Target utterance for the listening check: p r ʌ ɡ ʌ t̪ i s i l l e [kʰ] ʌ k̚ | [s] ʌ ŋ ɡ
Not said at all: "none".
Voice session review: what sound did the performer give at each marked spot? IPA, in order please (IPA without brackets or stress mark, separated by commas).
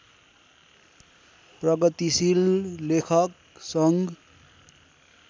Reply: kʰ, s